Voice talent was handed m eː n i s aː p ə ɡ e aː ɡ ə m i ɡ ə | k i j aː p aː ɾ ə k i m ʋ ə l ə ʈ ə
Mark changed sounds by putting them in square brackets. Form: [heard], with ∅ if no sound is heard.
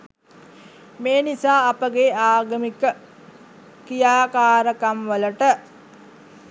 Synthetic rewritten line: m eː n i s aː p ə ɡ e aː ɡ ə m i [k] ə | k i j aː [k] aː ɾ ə k [a] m ʋ ə l ə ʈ ə